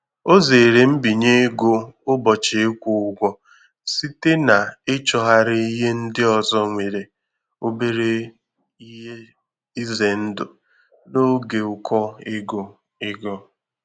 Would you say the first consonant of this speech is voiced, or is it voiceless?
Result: voiced